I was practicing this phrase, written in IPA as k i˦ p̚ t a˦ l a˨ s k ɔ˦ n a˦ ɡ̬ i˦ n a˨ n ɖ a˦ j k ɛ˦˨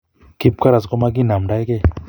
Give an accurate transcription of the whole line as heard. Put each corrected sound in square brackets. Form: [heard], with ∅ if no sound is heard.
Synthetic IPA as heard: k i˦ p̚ [k] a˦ [ɾ] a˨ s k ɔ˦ [m] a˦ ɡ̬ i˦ n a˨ [m] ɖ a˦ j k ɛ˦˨